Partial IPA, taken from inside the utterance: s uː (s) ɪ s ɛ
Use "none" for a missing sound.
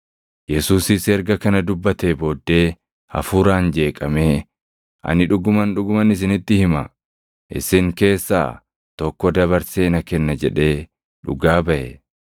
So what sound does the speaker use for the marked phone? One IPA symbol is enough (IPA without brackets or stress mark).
s